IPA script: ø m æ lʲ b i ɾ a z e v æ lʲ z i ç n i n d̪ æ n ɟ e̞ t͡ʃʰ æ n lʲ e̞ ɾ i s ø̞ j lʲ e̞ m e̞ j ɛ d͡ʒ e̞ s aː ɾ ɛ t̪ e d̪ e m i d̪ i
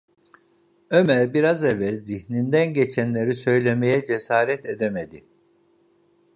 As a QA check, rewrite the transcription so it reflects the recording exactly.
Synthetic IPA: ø m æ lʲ b i ɾ a z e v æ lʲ z i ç n i n d̪ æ n ɟ e̞ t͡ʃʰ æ n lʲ e̞ ɾ i s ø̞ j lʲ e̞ m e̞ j ɛ d͡ʒ e̞ s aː ɾ ɛ t̪ e d̪ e m e d̪ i